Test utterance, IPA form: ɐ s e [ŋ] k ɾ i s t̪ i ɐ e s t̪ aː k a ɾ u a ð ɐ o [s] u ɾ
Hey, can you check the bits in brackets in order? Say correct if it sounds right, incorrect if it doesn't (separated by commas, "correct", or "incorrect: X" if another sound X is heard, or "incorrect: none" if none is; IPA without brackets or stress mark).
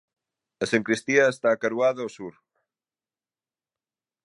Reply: correct, correct